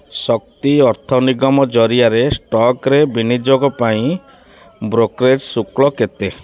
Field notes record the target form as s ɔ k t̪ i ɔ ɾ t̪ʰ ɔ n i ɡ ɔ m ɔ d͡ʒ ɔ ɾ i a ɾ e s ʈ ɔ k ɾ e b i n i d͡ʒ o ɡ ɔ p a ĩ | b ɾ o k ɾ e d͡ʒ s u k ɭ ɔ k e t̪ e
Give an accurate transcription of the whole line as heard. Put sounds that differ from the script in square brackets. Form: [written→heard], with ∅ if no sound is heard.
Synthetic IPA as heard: s ɔ k t̪ i ɔ ɾ t̪ʰ ɔ n i ɡ ɔ m ɔ d͡ʒ ɔ ɾ i a ɾ e s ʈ ɔ k ɾ e b i n i d͡ʒ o ɡ ɔ p a ĩ | b ɾ o k ɾ e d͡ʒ s u k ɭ ɔ k e t̪ e

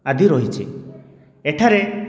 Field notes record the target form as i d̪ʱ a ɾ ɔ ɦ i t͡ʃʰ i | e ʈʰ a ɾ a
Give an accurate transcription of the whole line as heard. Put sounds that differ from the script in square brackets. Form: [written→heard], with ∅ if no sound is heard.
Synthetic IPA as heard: [i→a] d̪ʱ [a→i] ɾ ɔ ɦ i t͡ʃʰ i | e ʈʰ a ɾ [a→e]

